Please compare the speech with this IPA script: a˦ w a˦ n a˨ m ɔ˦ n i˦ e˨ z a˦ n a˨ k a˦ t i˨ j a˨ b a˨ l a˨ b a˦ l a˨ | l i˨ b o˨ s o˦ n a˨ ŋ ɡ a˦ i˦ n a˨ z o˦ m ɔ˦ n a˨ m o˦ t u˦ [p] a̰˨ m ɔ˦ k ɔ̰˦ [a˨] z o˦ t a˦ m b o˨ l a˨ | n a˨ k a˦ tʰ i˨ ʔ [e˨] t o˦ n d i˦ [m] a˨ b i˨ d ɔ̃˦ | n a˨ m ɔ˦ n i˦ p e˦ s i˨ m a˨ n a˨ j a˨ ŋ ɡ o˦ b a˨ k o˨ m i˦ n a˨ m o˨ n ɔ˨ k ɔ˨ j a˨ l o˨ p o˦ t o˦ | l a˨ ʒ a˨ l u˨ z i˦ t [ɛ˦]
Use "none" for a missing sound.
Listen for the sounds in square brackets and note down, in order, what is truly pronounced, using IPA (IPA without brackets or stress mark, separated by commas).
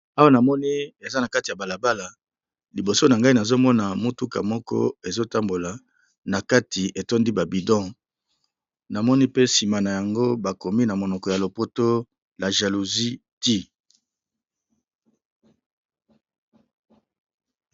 k, e˨, e˨, b, i˦